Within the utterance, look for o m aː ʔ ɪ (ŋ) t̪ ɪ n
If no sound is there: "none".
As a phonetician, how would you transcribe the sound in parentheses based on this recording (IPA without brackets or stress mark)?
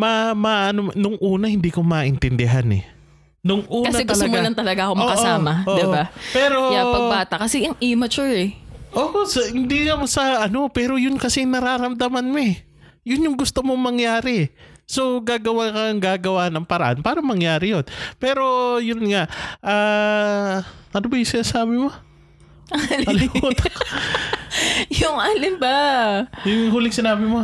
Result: n